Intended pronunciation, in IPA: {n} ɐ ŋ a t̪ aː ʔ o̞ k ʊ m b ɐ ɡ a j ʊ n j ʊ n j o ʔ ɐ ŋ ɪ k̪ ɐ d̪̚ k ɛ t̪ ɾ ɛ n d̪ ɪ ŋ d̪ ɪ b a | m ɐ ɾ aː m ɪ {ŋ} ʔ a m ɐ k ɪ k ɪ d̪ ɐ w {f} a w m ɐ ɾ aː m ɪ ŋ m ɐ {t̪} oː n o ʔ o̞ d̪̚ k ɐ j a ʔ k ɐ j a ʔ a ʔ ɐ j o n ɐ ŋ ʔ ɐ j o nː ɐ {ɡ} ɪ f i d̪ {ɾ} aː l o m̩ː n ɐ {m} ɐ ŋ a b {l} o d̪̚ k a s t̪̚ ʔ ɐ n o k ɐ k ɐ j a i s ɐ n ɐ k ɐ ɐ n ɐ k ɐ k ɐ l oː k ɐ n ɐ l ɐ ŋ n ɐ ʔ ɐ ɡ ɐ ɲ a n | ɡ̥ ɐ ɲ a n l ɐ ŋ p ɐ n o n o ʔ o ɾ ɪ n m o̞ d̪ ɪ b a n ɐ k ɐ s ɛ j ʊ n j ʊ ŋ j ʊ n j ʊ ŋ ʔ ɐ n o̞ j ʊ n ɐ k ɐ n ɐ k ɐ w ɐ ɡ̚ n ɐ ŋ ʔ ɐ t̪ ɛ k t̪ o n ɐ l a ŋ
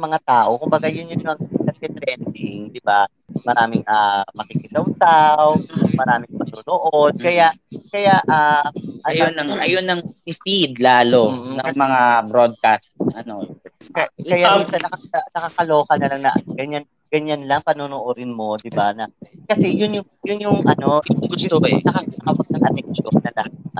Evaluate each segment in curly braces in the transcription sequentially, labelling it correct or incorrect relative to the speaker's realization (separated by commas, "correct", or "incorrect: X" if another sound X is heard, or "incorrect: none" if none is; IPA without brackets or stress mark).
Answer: incorrect: m, correct, incorrect: s, correct, incorrect: ŋ, incorrect: l, correct, incorrect: ɾ